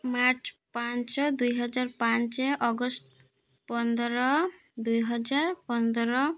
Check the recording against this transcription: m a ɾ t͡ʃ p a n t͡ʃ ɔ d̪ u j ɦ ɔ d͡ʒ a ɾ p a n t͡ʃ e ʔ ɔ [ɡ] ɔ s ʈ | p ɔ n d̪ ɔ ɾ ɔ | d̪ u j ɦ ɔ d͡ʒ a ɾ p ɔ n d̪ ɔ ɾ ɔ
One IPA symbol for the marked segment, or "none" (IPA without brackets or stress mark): ɡ